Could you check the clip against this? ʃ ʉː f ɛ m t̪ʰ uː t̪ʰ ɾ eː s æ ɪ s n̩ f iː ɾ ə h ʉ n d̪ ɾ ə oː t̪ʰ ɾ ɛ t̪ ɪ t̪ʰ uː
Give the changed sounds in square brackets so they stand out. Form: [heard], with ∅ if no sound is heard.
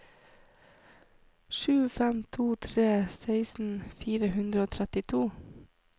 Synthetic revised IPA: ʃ ʉː f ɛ m t̪ʰ uː t̪ʰ ɾ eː s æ ɪ s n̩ f iː ɾ ə h ʉ n d̪ ɾ ə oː t̪ʰ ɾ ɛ t̪ ɪ t̪ʰ uː